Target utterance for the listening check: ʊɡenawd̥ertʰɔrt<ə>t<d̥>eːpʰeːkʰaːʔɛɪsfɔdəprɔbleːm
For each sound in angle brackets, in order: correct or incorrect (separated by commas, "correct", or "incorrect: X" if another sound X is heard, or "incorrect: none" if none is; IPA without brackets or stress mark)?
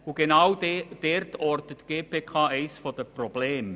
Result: correct, incorrect: ɡ̥